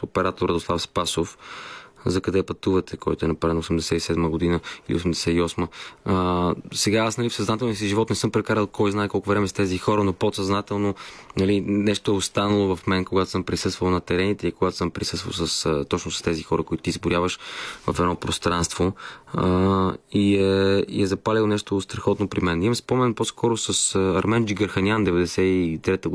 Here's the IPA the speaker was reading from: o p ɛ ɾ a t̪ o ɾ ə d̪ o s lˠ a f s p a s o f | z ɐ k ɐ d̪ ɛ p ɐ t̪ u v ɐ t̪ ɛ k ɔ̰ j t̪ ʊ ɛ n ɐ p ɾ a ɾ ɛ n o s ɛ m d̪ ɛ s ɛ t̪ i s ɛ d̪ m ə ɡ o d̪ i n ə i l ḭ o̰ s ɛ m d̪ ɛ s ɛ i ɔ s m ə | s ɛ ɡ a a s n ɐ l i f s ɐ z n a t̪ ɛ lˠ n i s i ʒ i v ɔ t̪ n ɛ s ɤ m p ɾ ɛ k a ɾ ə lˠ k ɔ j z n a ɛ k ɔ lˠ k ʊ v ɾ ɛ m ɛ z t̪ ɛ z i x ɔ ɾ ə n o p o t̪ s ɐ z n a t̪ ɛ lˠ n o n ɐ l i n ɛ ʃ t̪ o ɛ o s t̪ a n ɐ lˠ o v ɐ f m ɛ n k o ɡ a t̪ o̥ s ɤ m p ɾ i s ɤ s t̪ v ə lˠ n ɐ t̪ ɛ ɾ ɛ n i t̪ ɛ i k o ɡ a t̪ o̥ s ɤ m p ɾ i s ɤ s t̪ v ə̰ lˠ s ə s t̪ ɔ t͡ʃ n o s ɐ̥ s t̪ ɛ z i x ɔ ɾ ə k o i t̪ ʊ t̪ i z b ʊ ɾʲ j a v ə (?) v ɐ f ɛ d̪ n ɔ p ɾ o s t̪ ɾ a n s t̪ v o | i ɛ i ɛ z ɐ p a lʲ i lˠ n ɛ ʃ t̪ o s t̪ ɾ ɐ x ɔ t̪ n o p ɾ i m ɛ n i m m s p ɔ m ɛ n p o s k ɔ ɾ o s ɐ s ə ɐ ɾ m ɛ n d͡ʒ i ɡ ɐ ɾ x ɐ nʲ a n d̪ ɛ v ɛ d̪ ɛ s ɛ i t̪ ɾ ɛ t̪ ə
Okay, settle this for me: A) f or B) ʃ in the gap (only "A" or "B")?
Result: B